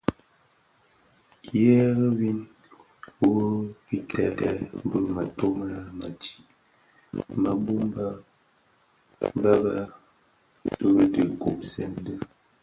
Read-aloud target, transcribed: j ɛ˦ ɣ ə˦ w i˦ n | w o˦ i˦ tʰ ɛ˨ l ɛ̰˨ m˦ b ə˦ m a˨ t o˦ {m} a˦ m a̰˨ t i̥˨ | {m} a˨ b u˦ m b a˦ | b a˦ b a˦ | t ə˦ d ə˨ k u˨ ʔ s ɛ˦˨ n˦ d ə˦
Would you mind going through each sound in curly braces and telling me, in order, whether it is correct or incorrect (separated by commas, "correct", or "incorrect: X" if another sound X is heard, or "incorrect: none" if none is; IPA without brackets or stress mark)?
correct, correct